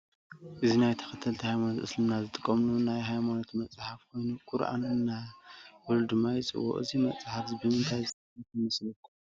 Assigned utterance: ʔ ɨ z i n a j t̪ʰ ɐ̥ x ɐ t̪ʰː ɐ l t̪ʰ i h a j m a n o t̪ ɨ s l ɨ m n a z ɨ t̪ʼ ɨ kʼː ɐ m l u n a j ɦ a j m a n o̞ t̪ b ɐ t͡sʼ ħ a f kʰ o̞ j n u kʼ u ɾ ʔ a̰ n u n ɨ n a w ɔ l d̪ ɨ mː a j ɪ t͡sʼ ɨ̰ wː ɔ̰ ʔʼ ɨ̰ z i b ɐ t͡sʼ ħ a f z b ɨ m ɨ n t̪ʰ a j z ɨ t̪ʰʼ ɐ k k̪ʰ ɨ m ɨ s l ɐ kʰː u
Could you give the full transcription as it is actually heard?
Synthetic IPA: ʔ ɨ z i n a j t̪ʰ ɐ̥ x ɐ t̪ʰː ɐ l t̪ʰ i h a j m a n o t̪ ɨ s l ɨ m n a z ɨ t̪ʼ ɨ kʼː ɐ m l u n a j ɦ a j m a n o̞ t̪ m ɐ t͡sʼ ħ a f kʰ o̞ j n u kʼ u ɾ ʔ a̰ n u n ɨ n a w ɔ l d̪ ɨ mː a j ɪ t͡sʼ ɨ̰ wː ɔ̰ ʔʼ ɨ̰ z i m ɐ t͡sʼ ħ a f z b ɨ m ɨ n t̪ʰ a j z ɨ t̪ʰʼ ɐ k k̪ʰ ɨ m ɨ s l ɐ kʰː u